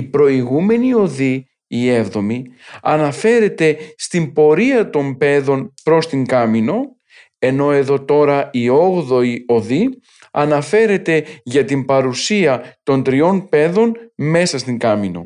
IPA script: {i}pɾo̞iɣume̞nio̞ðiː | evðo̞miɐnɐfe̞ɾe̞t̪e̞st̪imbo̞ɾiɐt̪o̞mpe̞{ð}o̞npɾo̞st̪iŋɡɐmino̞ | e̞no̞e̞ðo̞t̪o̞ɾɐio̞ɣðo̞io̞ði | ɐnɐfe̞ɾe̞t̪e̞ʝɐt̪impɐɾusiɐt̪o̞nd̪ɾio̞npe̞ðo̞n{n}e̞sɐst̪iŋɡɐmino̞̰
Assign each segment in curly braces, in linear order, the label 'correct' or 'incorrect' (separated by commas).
correct, correct, incorrect